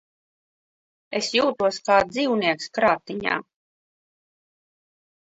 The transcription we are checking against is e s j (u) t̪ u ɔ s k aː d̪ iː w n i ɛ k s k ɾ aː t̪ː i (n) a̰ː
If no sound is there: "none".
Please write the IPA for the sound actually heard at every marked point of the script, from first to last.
uː, ɲ

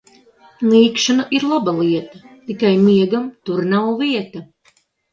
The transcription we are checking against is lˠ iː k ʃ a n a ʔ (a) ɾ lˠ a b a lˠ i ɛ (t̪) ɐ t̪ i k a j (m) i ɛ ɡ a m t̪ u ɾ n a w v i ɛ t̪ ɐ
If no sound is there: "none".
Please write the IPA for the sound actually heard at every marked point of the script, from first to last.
i, t̪, m

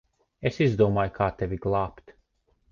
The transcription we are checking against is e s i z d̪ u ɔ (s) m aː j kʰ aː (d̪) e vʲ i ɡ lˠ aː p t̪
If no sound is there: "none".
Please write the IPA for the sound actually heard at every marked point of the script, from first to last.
none, t̪

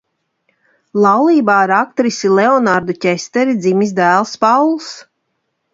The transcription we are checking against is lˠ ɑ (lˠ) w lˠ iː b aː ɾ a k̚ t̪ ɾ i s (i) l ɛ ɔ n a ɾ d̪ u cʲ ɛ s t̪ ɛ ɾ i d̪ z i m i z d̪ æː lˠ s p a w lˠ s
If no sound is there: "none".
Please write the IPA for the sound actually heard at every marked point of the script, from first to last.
none, i

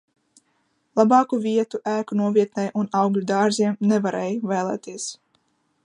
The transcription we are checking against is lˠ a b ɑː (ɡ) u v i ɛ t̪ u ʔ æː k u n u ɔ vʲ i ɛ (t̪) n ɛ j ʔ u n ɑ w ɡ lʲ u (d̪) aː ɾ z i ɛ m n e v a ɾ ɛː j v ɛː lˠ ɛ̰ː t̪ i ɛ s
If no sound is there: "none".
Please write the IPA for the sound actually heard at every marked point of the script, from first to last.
k, t̪, d̪

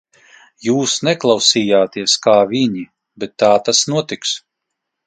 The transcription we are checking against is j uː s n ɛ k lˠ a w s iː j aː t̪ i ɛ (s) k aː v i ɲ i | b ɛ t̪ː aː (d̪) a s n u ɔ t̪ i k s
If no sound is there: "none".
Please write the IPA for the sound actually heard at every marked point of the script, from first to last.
s, t̪

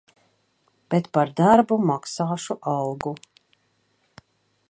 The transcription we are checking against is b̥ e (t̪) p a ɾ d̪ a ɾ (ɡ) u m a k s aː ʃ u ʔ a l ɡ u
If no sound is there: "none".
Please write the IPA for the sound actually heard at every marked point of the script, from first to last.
t̪, b

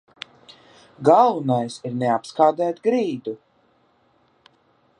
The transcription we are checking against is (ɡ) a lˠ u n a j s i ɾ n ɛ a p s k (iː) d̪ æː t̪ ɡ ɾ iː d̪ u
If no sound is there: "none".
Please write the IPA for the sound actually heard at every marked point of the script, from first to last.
ɡ, aː

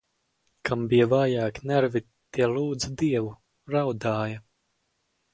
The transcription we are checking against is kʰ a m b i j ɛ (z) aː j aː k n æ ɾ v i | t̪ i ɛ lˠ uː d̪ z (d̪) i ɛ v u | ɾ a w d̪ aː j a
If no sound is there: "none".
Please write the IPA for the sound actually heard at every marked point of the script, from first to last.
v, d̪

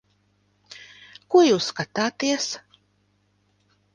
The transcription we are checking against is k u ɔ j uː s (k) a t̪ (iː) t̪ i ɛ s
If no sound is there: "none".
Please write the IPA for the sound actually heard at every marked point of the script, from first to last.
k, aː

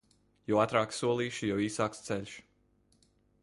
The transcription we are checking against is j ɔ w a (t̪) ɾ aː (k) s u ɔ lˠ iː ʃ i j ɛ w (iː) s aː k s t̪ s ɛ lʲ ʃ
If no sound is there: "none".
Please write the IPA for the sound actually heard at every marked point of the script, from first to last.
t̪, k, iː

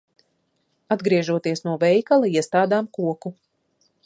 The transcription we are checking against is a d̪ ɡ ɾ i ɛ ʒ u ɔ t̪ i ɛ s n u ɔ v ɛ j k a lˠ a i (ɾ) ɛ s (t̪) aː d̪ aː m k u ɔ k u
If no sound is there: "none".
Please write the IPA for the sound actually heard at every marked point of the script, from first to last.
none, t̪

